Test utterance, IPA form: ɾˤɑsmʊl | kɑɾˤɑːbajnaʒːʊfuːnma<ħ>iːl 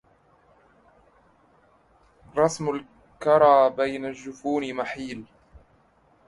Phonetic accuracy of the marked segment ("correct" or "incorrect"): correct